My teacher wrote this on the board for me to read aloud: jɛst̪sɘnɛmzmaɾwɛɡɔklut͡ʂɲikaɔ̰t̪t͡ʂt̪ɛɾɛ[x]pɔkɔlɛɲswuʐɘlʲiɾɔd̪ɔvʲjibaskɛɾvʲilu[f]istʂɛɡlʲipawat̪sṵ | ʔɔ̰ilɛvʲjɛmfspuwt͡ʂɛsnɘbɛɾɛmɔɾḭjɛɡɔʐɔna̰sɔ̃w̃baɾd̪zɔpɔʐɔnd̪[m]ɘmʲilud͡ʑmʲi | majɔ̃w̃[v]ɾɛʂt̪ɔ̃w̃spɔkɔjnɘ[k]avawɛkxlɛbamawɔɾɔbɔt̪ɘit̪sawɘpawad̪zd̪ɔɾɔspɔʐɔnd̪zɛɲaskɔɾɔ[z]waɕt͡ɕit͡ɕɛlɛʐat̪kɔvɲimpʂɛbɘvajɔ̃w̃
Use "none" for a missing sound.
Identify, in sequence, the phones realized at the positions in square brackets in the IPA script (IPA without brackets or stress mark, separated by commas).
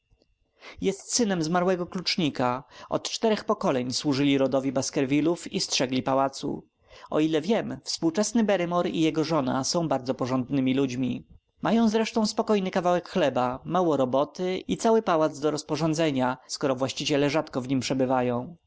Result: x, f, n, z, k, v